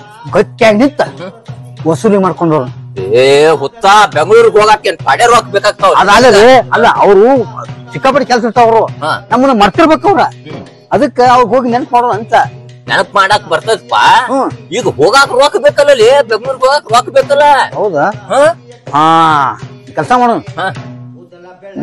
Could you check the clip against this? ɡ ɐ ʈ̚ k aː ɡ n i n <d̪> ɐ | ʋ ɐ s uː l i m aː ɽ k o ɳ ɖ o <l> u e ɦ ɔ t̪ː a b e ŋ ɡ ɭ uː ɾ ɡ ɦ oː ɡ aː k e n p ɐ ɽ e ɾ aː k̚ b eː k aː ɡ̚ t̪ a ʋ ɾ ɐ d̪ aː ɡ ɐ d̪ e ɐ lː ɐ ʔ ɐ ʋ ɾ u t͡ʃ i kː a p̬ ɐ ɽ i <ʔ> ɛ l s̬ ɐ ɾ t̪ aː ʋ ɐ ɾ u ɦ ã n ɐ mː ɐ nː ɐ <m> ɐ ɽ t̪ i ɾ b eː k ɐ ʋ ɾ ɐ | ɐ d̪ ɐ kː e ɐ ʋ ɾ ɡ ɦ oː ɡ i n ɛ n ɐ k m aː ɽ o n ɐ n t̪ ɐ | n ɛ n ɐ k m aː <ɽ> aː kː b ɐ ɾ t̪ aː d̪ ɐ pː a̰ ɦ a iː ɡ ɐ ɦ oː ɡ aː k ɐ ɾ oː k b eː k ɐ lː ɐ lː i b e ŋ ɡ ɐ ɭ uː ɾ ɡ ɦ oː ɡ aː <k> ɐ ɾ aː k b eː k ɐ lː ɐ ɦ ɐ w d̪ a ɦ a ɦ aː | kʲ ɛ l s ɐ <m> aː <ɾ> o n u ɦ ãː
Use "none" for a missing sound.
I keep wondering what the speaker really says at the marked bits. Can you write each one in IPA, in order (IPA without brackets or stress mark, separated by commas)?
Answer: t̪, ɾ, k, m, ɽ, k, m, ɽ